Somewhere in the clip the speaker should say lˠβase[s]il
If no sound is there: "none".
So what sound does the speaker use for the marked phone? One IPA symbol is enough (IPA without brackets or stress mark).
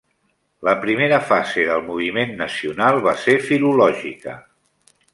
f